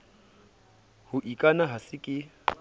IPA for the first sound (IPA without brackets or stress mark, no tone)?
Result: h